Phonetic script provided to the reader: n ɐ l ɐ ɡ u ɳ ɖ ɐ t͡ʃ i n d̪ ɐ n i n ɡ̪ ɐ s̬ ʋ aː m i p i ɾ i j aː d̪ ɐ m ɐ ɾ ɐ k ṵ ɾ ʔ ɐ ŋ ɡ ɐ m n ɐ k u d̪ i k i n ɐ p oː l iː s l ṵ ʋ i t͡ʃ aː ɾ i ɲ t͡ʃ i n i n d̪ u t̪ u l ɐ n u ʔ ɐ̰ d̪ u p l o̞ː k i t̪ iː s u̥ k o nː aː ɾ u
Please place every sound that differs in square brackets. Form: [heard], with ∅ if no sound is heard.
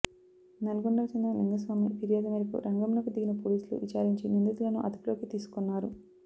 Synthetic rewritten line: n ɐ l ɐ ɡ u ɳ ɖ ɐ t͡ʃ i n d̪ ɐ n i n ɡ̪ ɐ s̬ ʋ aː m i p i ɾ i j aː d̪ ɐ m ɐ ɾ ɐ k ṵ ɾ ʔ ɐ ŋ ɡ ɐ m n ɐ k u d̪ i [ɡ] i n ɐ p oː l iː s l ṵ ʋ i t͡ʃ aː ɾ i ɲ t͡ʃ i n i n d̪ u t̪ u l ɐ n u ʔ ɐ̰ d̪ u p l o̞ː k i t̪ iː s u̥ k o nː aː ɾ u

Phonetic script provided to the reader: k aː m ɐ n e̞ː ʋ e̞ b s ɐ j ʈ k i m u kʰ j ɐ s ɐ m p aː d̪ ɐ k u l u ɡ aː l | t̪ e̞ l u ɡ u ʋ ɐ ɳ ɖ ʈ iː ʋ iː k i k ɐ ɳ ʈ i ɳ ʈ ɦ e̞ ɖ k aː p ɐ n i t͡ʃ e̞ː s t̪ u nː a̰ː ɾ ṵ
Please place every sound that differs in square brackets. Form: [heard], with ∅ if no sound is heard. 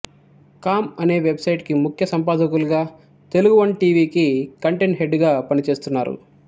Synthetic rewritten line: k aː m ɐ n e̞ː ʋ e̞ b s ɐ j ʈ k i m u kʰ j ɐ s ɐ m p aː d̪ ɐ k u l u ɡ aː [∅] | t̪ e̞ l u ɡ u ʋ ɐ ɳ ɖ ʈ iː ʋ iː k i k ɐ ɳ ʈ [e] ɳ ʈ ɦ e̞ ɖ [ɡ] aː p ɐ n i t͡ʃ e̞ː s t̪ u nː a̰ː ɾ ṵ

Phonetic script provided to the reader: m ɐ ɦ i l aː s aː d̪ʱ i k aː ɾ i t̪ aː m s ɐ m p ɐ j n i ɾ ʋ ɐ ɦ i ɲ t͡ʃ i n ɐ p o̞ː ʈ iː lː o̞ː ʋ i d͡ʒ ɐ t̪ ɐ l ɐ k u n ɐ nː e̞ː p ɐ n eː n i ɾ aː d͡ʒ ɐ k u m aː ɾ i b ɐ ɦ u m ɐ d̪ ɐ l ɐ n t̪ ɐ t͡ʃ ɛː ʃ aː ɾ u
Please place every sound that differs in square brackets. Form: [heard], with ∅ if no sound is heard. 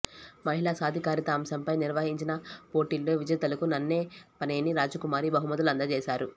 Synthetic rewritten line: m ɐ ɦ i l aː s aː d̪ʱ i k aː ɾ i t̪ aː m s ɐ m p ɐ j n i ɾ ʋ ɐ ɦ i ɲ t͡ʃ i n ɐ p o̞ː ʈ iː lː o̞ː ʋ i d͡ʒ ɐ t̪ ɐ l ɐ k u n ɐ nː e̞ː p ɐ n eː n i ɾ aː d͡ʒ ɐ k u m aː ɾ i b ɐ ɦ u m ɐ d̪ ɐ l ɐ n [d̪] ɐ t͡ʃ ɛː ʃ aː ɾ u

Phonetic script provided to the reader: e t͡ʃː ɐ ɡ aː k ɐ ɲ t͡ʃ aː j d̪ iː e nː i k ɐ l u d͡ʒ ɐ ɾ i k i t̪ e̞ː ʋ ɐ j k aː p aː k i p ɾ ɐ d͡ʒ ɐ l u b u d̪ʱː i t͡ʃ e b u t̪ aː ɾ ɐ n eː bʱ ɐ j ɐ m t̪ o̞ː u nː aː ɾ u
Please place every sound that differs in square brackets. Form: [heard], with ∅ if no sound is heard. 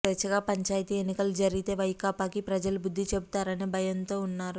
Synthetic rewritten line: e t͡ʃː ɐ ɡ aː [p] ɐ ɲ t͡ʃ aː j [t̪] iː e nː i k ɐ l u d͡ʒ ɐ ɾ i [ɡ] i t̪ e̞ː ʋ ɐ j k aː p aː k i p ɾ ɐ d͡ʒ ɐ l u b u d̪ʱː i t͡ʃ e b u t̪ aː ɾ ɐ n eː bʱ ɐ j ɐ [n] t̪ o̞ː u nː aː ɾ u

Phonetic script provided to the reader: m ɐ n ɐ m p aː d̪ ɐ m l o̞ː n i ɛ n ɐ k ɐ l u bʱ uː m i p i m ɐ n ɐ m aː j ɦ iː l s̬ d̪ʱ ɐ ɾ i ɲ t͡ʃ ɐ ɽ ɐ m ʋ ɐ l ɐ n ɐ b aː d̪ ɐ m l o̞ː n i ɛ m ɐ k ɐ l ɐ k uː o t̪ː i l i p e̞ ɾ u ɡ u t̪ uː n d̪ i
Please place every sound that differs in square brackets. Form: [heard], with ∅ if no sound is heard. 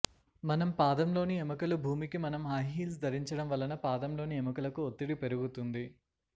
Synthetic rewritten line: m ɐ n ɐ m p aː d̪ ɐ m l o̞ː n i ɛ [m] ɐ k ɐ l u bʱ uː m i [k] i m ɐ n ɐ m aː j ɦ iː l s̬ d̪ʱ ɐ ɾ i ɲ t͡ʃ ɐ ɽ ɐ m ʋ ɐ l ɐ n ɐ [p] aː d̪ ɐ m l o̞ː n i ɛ m ɐ k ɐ l ɐ k [u] o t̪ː i [ɽ] i p e̞ ɾ u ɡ u t̪ [u] n d̪ i

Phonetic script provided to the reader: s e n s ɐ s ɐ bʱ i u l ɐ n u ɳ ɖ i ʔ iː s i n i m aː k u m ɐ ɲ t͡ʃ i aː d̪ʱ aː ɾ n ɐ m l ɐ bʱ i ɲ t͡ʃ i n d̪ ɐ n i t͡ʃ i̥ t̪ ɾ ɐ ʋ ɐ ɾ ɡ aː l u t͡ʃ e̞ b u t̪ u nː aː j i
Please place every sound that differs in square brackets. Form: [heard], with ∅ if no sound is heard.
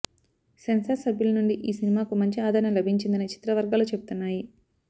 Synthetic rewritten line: s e n s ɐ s ɐ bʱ [j] u l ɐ n u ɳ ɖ i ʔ iː s i n i m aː k u m ɐ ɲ t͡ʃ i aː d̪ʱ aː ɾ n ɐ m l ɐ bʱ i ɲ t͡ʃ i n d̪ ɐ n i t͡ʃ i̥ t̪ ɾ ɐ ʋ ɐ ɾ ɡ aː l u t͡ʃ e̞ b u t̪ u nː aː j i

